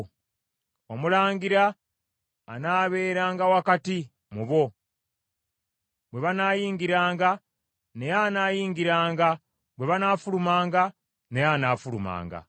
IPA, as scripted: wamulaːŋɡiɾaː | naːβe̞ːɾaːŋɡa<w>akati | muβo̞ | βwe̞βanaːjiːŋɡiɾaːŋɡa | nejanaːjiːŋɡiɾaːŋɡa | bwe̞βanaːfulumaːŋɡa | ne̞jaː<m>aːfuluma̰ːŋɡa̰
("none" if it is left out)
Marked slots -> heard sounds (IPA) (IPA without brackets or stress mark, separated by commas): w, n